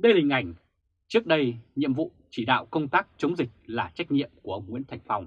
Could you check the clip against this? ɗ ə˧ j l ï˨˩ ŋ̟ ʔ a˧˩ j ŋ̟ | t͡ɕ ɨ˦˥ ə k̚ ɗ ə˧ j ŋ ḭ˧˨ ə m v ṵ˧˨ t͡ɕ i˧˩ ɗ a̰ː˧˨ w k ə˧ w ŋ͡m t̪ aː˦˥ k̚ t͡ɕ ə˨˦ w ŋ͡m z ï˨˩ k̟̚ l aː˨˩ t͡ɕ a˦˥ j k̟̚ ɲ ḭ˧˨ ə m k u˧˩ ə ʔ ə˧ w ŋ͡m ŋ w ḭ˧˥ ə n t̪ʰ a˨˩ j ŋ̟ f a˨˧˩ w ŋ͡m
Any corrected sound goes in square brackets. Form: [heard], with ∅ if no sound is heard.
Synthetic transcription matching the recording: ɗ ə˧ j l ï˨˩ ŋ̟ ʔ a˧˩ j ŋ̟ | t͡ɕ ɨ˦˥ ə k̚ ɗ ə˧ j [ɲ] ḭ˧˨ ə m v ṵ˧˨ t͡ɕ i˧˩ ɗ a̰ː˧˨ w k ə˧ w ŋ͡m t̪ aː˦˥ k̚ t͡ɕ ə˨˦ w ŋ͡m z ï˨˩ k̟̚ l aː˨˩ t͡ɕ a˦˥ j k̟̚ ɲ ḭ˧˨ ə m k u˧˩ ə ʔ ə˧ w ŋ͡m ŋ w ḭ˧˥ ə n t̪ʰ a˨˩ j ŋ̟ f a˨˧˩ w ŋ͡m